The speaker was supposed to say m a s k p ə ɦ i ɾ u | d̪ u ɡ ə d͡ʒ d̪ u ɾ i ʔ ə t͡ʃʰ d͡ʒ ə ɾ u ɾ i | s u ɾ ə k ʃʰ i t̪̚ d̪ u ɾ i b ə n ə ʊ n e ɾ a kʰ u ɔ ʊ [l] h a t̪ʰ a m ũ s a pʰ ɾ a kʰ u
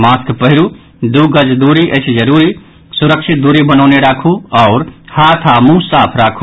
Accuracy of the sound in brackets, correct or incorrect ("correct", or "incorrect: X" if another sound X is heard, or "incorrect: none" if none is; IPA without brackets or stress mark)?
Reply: incorrect: ɾ